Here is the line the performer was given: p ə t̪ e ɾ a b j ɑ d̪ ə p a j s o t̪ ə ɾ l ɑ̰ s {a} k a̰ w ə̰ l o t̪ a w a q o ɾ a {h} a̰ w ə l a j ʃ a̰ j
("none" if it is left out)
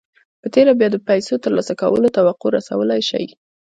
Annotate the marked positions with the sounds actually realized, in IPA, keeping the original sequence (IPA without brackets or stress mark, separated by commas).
a, s